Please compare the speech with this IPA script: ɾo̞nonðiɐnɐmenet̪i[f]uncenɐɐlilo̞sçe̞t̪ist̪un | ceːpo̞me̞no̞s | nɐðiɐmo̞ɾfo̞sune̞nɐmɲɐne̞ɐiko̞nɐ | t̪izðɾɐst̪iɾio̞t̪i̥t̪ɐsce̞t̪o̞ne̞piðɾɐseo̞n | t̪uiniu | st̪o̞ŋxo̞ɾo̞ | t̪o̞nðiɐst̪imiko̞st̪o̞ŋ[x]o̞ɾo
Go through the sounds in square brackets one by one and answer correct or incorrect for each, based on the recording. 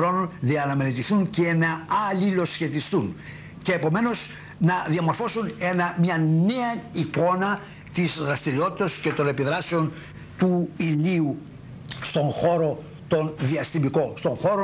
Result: incorrect: θ, correct

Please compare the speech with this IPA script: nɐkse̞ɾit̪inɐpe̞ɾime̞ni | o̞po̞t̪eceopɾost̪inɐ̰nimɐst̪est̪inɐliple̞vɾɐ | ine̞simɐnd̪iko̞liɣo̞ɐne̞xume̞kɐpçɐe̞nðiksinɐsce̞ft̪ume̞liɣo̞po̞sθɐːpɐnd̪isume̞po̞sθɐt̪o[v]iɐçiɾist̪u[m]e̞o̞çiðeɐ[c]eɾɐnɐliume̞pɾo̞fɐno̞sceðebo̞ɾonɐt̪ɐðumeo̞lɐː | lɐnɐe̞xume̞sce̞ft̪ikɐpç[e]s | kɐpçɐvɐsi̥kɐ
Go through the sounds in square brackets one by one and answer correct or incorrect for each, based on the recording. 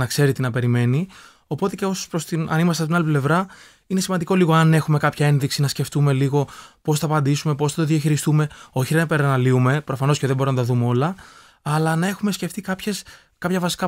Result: incorrect: ð, correct, incorrect: p, correct

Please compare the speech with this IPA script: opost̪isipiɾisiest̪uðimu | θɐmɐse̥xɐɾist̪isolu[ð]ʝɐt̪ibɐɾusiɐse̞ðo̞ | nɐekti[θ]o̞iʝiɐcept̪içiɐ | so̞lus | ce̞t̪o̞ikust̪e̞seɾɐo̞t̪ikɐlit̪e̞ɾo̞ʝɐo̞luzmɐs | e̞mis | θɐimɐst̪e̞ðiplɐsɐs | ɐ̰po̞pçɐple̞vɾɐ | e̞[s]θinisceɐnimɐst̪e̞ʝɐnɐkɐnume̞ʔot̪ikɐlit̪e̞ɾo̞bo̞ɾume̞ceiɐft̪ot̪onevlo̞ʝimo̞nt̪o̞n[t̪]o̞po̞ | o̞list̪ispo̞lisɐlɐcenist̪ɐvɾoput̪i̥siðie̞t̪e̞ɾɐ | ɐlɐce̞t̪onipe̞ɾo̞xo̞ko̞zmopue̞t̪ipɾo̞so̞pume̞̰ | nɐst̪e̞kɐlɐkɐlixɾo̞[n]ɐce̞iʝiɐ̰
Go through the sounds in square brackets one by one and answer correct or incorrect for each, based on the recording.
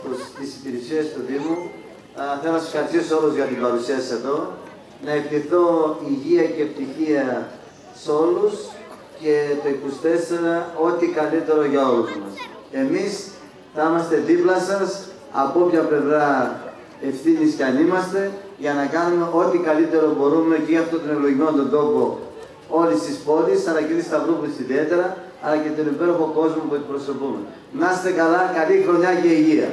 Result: incorrect: z, correct, incorrect: f, incorrect: d̪, incorrect: ɲ

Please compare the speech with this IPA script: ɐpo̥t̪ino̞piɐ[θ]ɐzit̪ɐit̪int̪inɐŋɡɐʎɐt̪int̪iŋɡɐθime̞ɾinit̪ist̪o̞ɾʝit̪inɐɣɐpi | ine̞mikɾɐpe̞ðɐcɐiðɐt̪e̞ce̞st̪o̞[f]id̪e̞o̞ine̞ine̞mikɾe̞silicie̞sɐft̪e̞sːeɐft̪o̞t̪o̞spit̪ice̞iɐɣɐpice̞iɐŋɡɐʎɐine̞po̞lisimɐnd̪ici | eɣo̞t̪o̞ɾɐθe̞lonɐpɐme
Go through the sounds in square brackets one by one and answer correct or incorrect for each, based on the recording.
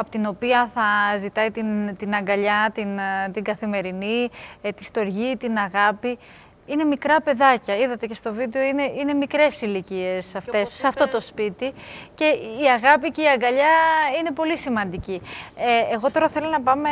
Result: correct, incorrect: v

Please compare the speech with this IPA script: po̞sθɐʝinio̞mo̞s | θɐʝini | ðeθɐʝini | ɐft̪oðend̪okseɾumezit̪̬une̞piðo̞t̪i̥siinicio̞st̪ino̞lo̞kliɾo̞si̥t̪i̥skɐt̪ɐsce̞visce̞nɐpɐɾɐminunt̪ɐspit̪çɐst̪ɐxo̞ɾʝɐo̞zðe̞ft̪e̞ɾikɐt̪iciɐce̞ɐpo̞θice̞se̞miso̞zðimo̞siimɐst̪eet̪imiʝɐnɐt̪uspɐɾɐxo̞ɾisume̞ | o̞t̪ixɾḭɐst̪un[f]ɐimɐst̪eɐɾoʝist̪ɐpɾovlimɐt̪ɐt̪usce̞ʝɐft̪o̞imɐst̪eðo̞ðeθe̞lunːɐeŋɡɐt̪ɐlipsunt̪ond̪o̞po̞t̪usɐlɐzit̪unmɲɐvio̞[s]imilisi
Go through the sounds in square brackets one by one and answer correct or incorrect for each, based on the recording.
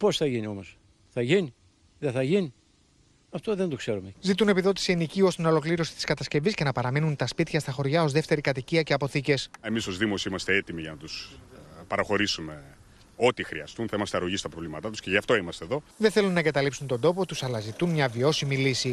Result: incorrect: θ, correct

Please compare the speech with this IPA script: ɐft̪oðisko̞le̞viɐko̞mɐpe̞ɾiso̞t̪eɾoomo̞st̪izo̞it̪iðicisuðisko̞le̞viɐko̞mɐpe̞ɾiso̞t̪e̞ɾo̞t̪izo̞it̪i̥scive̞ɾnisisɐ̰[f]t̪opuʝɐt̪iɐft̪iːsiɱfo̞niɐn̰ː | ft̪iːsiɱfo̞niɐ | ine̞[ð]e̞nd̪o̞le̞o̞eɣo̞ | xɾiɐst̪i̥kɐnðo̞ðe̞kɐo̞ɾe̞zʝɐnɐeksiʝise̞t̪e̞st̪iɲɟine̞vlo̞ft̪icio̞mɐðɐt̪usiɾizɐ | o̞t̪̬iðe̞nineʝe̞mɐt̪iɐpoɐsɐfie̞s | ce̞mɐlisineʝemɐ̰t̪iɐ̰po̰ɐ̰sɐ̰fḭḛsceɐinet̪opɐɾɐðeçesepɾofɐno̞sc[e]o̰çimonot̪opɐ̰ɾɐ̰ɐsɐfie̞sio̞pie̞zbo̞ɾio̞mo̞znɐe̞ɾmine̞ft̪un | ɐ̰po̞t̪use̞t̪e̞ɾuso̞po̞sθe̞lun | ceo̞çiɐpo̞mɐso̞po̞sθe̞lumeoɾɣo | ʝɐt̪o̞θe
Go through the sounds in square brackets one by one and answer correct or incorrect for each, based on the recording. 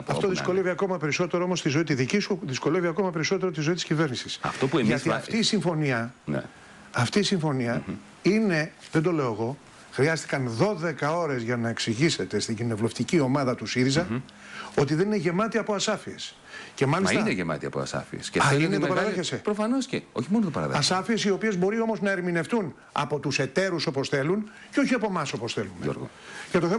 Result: correct, correct, correct

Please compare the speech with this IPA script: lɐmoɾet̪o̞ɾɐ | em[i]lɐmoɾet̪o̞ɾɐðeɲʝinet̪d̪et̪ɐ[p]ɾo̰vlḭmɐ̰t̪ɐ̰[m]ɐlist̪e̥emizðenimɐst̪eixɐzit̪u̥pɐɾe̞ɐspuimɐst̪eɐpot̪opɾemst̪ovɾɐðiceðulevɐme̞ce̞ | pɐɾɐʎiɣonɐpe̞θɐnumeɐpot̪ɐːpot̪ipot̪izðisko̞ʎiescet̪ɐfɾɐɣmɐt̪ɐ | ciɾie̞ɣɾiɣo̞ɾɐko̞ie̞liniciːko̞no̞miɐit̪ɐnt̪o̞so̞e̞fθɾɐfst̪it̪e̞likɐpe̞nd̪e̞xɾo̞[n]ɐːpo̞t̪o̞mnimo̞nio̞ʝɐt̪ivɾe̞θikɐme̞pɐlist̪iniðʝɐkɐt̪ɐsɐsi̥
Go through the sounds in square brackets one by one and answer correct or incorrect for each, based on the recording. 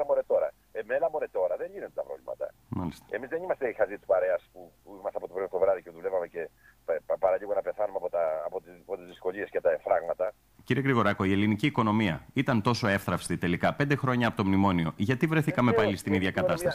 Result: incorrect: e, correct, correct, incorrect: ɲ

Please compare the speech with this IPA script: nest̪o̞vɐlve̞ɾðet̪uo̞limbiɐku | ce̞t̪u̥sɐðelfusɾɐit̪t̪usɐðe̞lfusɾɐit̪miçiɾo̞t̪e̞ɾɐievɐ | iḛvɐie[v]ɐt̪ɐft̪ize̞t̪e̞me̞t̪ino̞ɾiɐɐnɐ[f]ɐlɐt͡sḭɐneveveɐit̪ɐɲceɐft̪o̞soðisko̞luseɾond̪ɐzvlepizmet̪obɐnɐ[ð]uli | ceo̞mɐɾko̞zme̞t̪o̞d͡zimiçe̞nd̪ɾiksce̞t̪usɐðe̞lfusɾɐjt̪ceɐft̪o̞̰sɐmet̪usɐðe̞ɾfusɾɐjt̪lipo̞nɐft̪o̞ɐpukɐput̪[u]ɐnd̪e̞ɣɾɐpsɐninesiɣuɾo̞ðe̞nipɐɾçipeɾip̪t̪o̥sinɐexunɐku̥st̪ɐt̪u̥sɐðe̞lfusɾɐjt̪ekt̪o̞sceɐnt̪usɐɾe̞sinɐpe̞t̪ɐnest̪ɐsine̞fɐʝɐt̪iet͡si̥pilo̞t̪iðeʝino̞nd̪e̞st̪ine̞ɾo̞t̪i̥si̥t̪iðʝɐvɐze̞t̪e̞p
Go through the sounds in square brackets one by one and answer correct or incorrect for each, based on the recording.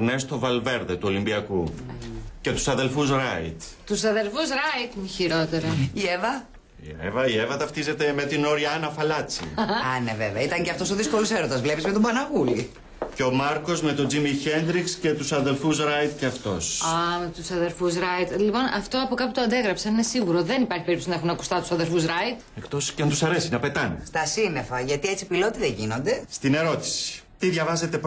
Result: correct, correct, incorrect: ɣ, incorrect: o

